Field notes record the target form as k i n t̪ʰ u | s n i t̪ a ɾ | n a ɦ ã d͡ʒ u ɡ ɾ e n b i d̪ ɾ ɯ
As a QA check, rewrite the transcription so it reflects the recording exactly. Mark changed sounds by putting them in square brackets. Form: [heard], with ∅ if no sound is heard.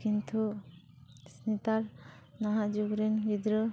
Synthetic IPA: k i n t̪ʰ u | s n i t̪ a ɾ | n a ɦ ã d͡ʒ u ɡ ɾ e n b i d̪ ɾ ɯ

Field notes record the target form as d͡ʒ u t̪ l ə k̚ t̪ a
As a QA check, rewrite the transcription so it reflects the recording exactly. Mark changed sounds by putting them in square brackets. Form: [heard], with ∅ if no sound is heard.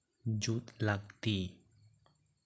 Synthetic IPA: d͡ʒ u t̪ l [a] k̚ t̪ [i]

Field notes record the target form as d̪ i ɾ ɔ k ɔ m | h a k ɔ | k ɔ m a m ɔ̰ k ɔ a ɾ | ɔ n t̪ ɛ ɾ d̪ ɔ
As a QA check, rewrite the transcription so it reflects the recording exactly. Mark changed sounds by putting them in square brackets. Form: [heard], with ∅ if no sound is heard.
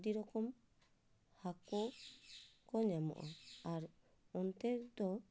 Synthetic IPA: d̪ i ɾ ɔ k ɔ m | h a k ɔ | k ɔ [ɲ] a m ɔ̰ [ʔ] ɔ a ɾ | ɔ n t̪ ɛ ɾ d̪ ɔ

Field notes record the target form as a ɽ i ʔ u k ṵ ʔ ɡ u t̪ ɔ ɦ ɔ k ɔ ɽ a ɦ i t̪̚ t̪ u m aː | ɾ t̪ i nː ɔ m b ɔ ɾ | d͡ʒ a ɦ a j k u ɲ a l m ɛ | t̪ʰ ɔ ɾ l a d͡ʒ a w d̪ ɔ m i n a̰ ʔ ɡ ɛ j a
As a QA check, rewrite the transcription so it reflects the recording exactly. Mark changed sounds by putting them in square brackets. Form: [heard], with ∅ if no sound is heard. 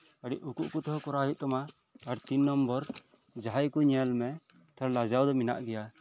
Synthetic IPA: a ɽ i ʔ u k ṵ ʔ [k] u t̪ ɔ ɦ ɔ k ɔ [ɾ] a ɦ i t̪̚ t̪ [ɔ] m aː | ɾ t̪ i nː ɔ m b ɔ ɾ | d͡ʒ a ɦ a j k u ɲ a l m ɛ | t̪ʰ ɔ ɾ l a d͡ʒ a w d̪ ɔ m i n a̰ ʔ ɡ ɛ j a

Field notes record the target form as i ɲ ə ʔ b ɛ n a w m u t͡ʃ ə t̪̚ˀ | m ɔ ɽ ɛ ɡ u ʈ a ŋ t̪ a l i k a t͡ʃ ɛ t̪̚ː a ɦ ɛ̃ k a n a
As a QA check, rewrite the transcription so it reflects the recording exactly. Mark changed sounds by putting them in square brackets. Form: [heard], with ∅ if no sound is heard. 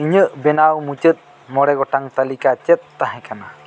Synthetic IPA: i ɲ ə ʔ b ɛ n a w m u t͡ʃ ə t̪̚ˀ | m ɔ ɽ ɛ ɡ [ɔ] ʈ a ŋ t̪ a l i k a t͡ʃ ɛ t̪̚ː a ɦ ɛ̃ k a n a

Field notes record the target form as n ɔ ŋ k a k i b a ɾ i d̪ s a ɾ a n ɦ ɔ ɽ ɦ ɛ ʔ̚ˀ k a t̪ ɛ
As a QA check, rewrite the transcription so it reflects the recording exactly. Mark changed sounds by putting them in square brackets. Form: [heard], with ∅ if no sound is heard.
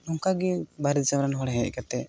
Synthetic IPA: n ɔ ŋ k a [ɡ] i b a ɾ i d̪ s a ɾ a n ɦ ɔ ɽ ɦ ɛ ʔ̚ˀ k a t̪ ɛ

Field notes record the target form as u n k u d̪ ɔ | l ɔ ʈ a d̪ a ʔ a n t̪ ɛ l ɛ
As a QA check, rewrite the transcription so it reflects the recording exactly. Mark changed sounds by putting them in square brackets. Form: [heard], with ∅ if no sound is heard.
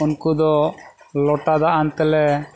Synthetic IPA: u n k u d̪ ɔ | l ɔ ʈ a d̪ a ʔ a n t̪ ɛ l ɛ

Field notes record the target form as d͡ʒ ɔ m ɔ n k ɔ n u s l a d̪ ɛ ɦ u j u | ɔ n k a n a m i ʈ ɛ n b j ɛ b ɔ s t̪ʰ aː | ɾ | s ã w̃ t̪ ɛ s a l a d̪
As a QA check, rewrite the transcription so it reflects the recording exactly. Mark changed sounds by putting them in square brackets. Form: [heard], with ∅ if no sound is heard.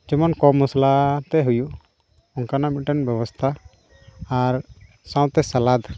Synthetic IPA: d͡ʒ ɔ m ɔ n k ɔ [m] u s l a [t̪] ɛ ɦ u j u | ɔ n k a n a m i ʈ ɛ n b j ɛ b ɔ s t̪ʰ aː | ɾ | s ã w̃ t̪ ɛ s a l a d̪

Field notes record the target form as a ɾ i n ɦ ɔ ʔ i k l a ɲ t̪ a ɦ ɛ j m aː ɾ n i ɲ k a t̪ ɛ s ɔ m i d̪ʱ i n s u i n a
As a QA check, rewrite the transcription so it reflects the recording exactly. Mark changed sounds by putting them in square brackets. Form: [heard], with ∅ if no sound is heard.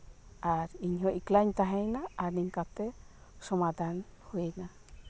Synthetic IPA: a ɾ i [ɲ] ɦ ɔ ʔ i k l a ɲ t̪ a ɦ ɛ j [n] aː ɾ n i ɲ k a t̪ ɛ s ɔ m [a] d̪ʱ [a] n [h] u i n a

